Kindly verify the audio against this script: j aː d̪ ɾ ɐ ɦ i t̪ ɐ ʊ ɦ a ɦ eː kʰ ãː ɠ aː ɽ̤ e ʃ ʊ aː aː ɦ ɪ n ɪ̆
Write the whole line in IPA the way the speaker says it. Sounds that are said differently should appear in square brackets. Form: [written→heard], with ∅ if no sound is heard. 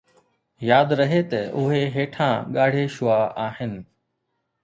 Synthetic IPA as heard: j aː d̪ ɾ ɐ ɦ [i→e] t̪ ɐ ʊ ɦ [a→e] ɦ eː [kʰ→ʈʰ] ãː ɠ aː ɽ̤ e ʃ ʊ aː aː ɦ ɪ n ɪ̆